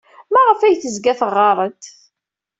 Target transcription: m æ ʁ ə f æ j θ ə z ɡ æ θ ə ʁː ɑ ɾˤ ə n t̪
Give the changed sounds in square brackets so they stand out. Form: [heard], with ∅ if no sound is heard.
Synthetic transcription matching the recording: m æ ʁ ə f æ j θ ə z ɡ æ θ ə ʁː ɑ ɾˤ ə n t̪